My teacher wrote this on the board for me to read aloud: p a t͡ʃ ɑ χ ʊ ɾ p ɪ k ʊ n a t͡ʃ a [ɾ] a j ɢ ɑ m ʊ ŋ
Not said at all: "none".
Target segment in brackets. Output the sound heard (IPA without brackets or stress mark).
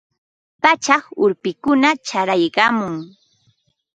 ɾ